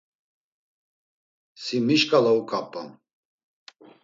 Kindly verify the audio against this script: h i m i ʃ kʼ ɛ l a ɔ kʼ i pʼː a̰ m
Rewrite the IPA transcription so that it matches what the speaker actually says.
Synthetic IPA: s i m i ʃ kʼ a l a u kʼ a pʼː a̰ m

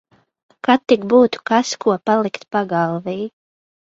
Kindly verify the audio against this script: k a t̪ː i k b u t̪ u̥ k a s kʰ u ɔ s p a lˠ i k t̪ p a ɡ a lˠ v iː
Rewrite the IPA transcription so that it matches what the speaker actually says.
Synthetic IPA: k a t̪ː i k b uː t̪ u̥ k a s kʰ u ɔ p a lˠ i k t̪ p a ɡ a lˠ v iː

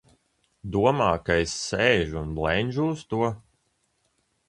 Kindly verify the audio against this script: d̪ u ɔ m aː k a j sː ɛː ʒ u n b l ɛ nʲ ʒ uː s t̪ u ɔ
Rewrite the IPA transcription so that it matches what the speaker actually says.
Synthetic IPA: d̪ u ɔ m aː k a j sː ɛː ʒ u n b l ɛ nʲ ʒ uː s t̪ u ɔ

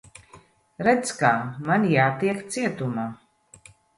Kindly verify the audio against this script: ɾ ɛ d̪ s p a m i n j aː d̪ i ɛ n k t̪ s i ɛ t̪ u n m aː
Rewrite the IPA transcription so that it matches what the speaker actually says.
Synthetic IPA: ɾ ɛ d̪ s k a m a n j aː t̪ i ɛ k t̪ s i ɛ t̪ u m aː

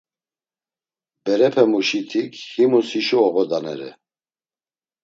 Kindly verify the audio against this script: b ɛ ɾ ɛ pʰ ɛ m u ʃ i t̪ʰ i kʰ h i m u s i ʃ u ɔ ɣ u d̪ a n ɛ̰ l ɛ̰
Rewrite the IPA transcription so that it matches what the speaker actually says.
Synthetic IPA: b ɛ ɾ ɛ pʰ ɛ m u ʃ i t̪ʰ i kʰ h i m u s i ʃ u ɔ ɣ ɔ d̪ a n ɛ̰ ɾ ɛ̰

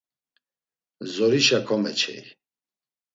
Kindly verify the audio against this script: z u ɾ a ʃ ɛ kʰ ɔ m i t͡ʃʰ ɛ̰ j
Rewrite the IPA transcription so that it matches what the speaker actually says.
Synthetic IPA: z ɔ ɾ i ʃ a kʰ ɔ m ɛ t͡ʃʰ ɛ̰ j

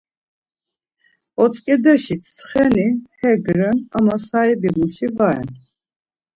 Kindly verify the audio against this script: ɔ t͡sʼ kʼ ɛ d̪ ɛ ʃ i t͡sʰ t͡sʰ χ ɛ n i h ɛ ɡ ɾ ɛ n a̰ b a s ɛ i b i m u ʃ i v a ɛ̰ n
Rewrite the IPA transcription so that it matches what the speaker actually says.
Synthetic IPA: ɔ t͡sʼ kʼ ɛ d̪ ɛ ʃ i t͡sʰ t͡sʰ χ ɛ n i h ɛ ɡ ɾ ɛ n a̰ m a s a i b i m u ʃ i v a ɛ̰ n

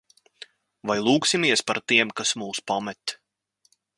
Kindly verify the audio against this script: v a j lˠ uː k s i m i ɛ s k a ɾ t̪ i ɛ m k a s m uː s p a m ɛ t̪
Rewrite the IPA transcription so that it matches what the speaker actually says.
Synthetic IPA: v a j lˠ uː k s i m i ɛ s p a ɾ t̪ i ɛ m k a s m uː s p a m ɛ t̪

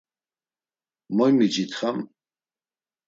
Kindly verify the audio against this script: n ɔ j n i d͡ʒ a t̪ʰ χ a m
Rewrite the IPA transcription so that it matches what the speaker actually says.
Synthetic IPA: m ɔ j m i d͡ʒ i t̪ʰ χ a m

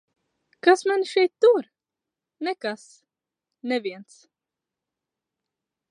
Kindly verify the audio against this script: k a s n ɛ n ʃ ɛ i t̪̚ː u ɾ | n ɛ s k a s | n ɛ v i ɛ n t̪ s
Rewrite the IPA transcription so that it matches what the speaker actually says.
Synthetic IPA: k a s m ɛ n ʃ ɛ j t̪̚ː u ɾ | n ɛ k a s | n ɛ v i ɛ n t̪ s

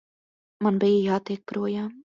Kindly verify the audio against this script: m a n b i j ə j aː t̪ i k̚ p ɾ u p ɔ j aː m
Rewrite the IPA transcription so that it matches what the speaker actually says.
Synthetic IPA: m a n b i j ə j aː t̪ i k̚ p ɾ u ɔ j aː m

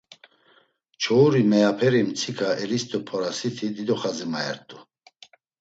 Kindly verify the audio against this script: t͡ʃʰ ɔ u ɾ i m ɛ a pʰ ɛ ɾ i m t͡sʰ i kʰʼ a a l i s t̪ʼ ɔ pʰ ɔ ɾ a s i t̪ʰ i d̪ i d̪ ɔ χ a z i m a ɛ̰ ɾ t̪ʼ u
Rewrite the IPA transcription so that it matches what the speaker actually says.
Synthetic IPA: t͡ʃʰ ɔ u ɾ i m ɛ a pʰ ɛ ɾ i m t͡sʰ i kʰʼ a ɛ l i s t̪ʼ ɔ pʰ ɔ ɾ a s i t̪ʰ i d̪ i d̪ ɔ χ a z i m a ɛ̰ ɾ t̪ʼ u

